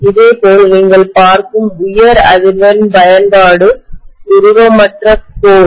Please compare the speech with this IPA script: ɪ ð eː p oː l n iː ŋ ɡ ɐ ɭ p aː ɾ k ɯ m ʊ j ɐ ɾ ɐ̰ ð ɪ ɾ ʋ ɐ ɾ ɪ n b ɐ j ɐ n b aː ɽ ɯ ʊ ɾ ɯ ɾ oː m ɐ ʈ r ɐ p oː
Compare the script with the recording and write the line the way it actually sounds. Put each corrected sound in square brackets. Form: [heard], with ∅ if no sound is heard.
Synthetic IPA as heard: ɪ ð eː p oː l n iː ŋ ɡ ɐ ɭ p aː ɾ k ɯ m ʊ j ɐ ɾ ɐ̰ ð ɪ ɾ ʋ ɐ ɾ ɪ n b ɐ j ɐ n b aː ɽ ɯ ʊ ɾ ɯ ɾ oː m ɐ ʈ r ɐ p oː